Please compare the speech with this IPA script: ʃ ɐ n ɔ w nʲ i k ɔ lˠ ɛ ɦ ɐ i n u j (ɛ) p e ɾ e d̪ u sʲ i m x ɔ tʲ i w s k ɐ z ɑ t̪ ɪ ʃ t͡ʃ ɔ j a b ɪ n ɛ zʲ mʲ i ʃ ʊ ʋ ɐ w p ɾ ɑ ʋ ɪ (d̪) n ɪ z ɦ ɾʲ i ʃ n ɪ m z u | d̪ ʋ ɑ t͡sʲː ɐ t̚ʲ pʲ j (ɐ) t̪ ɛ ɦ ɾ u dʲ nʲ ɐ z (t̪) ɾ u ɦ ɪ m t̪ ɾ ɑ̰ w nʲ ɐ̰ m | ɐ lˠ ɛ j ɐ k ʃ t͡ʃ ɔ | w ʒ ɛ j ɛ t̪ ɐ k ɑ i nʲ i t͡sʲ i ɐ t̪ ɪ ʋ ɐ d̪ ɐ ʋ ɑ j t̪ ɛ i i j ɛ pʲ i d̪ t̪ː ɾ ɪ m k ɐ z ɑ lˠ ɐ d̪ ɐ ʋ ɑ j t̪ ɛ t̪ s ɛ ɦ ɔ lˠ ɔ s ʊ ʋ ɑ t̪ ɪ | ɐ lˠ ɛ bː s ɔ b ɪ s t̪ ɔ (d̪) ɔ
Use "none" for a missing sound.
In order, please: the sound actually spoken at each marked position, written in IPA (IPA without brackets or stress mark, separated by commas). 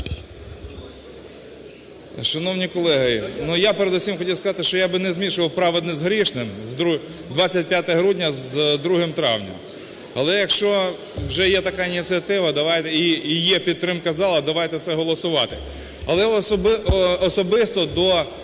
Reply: a, d̪, a, d̪, d̪